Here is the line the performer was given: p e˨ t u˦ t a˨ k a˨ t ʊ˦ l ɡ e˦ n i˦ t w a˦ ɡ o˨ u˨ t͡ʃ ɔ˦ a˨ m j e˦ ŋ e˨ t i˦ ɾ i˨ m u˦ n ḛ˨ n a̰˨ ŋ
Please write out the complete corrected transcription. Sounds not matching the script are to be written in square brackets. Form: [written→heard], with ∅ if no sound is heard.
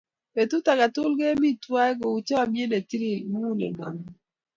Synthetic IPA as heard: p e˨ t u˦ t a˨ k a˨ t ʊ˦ l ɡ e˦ [n→m] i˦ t w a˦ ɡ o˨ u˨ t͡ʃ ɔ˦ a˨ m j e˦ [ŋ→n] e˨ t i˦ ɾ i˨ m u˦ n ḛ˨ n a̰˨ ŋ